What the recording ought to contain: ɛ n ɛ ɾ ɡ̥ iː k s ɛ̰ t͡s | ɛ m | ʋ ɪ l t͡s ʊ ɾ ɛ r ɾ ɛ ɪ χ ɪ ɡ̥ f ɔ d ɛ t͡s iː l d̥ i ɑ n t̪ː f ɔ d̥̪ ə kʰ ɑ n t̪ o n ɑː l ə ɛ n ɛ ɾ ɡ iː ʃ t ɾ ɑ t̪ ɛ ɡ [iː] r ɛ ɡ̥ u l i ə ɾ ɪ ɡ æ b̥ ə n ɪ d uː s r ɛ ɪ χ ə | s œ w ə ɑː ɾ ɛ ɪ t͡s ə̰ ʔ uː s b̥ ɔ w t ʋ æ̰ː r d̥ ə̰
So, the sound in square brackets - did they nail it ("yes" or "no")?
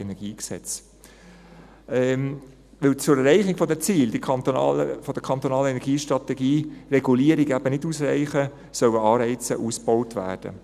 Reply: yes